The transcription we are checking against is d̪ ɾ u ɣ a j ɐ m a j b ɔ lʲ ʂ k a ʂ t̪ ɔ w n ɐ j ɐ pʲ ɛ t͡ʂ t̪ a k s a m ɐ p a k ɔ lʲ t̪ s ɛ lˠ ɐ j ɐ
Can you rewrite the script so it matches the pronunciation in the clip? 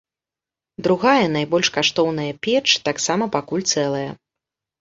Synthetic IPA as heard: d̪ ɾ u ɣ a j ɐ n a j b ɔ lʲ ʂ k a ʂ t̪ ɔ w n ɐ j ɐ pʲ ɛ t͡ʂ t̪ a k s a m ɐ p a k u lʲ t̪ s ɛ lˠ ɐ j ɐ

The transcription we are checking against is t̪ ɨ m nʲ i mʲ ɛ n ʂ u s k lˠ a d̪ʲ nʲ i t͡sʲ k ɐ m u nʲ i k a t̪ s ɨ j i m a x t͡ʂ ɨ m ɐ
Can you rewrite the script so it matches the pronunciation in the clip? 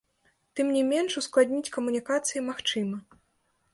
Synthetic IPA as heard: t̪ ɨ m nʲ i mʲ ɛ n ʂ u s k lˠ a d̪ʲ nʲ i t͡sʲ k ɐ m u nʲ i k a t̪ s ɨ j i m a x t͡ʂ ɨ m ɐ

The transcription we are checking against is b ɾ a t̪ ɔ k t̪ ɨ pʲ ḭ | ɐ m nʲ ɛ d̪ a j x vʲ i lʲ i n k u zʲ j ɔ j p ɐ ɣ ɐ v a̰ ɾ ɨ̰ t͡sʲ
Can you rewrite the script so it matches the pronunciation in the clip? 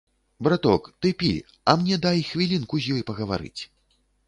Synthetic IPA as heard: b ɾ a t̪ ɔ k t̪ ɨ pʲ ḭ | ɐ m nʲ ɛ d̪ a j x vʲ i lʲ i n k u zʲ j ɔ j p ɐ ɣ ɐ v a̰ ɾ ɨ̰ t͡sʲ

